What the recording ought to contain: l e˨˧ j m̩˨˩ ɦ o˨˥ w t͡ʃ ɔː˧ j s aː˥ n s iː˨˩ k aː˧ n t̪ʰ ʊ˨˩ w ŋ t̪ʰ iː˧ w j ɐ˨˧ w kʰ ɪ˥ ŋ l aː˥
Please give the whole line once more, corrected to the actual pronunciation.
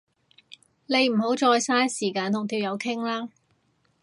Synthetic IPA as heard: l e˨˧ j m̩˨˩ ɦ o˨˥ w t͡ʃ ɔː˧ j s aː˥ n s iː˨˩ k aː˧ n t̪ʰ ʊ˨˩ ŋ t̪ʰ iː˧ w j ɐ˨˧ w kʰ ɪ˥ ŋ l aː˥